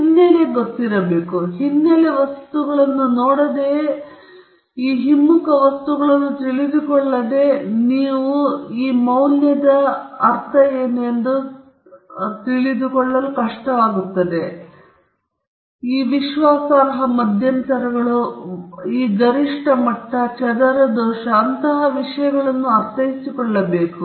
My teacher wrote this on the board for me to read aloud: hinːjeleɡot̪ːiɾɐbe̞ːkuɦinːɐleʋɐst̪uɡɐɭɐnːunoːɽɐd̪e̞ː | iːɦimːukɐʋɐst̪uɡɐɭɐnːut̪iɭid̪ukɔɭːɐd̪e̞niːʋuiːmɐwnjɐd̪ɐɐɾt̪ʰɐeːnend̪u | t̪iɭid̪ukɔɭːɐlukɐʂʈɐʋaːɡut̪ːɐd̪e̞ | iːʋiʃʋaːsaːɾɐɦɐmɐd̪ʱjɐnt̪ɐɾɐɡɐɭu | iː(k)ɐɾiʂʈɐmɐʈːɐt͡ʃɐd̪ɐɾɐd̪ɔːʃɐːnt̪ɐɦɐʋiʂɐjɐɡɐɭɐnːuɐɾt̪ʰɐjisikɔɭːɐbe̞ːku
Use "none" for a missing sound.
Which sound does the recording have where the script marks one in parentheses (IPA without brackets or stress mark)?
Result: ɡ